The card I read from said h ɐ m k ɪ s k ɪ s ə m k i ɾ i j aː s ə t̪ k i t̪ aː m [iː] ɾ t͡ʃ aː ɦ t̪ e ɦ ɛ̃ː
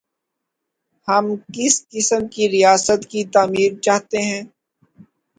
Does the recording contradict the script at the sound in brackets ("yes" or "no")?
no